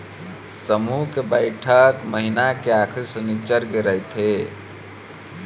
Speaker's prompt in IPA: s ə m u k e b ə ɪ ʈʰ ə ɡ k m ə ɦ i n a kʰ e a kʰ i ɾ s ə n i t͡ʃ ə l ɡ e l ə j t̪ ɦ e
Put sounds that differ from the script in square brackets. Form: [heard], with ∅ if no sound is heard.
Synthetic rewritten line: s ə m u k e b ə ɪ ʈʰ ə [∅] k m ə ɦ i n a [k] e a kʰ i ɾ s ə n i t͡ʃ ə [ɾ] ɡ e [ɾ] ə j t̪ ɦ e